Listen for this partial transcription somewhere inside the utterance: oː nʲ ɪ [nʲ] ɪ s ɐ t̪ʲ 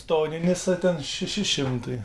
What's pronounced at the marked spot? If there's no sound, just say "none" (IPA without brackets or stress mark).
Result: nʲ